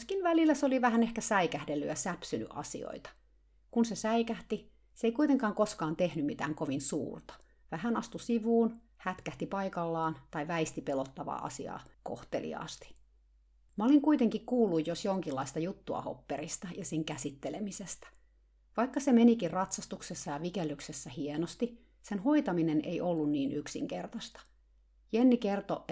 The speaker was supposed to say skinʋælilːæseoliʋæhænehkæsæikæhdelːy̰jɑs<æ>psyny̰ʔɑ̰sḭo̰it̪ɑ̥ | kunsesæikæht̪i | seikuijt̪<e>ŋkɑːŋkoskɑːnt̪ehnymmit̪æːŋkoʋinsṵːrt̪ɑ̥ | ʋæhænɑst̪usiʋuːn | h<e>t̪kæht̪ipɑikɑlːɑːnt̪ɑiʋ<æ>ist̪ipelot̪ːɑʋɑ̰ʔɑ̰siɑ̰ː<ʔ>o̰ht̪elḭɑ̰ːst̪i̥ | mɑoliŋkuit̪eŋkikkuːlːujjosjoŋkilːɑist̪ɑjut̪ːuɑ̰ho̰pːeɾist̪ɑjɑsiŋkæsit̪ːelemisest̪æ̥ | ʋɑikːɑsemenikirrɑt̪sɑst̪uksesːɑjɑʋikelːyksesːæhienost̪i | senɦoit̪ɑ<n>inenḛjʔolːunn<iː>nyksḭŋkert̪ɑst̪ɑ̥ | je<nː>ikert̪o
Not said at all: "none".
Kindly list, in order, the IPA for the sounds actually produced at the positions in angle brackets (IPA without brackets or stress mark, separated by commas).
æ, e, æ, æ, k, m, iː, nː